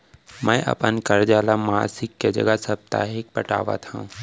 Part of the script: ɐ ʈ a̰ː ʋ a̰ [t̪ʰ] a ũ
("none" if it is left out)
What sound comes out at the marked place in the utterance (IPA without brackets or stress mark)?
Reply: t̪ʰ